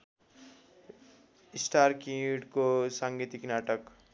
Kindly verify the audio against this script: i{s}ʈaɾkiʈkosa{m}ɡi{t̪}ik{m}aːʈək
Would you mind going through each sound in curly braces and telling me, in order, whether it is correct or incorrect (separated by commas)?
correct, incorrect, correct, incorrect